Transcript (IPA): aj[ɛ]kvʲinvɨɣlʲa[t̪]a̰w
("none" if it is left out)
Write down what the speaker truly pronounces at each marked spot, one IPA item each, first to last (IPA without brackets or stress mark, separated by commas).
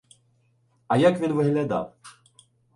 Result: a, d̪